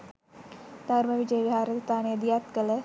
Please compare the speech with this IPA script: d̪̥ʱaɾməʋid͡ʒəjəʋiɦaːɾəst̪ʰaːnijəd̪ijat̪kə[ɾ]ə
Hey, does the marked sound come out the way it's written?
no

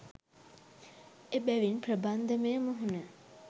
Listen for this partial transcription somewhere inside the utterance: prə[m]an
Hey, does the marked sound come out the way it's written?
no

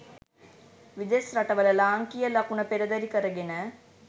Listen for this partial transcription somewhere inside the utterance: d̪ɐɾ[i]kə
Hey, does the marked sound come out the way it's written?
yes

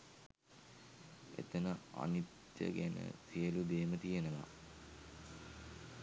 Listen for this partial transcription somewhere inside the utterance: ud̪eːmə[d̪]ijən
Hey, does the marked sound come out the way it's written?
no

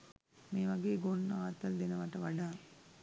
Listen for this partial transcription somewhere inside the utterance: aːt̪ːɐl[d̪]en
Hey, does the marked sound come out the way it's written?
yes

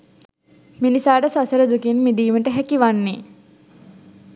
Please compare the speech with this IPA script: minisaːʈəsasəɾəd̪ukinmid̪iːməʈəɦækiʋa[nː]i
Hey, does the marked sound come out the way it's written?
yes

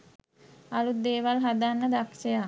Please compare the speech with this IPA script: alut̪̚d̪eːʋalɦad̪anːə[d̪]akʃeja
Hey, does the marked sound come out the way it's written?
yes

